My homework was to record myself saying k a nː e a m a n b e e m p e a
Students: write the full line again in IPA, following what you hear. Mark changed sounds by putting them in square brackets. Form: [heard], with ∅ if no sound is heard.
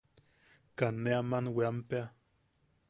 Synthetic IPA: k a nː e a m a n [w] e [a] m p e a